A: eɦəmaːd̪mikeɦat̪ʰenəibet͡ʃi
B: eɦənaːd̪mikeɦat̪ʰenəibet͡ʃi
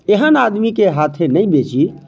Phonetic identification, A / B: B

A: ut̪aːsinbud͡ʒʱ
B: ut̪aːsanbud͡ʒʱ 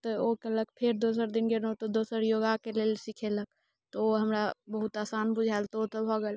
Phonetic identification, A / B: B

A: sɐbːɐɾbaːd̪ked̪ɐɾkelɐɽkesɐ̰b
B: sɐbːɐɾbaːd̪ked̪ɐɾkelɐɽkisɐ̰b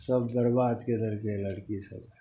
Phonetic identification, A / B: B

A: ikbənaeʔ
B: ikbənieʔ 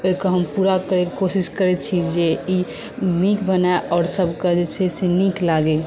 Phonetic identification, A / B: A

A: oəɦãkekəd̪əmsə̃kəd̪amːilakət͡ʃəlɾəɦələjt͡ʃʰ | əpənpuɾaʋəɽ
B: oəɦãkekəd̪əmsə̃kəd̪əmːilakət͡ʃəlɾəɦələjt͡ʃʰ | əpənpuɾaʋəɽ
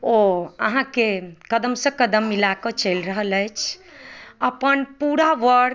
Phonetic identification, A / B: B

